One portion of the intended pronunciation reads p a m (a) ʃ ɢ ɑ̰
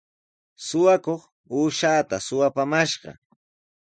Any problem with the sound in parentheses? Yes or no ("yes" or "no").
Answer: no